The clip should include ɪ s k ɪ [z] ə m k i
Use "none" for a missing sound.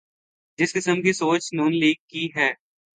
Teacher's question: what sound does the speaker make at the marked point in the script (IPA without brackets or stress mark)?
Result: s